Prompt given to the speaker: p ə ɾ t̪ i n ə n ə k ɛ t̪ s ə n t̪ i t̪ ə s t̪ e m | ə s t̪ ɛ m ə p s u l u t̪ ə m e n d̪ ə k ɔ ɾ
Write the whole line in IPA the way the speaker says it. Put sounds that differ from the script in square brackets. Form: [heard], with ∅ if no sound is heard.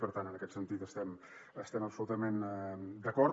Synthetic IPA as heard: p ə ɾ t̪ [a] n ə n ə k ɛ t̪ s ə n t̪ i t̪ ə s t̪ [ɛ] m | ə s t̪ ɛ m ə p s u l u t̪ ə m e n d̪ ə k ɔ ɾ